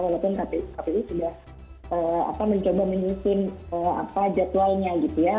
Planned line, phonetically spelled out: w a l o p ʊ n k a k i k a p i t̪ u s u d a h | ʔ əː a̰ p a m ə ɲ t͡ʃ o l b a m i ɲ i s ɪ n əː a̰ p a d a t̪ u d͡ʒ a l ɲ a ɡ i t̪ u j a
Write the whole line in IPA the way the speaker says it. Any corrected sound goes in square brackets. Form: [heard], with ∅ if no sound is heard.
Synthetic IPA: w a l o p ʊ n k a [p] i k a p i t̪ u s u d a h | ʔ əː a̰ p a m ə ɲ t͡ʃ o [∅] b a m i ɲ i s ɪ n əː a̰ p a [d͡ʒ] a t̪ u [∅] a l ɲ a ɡ i t̪ u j a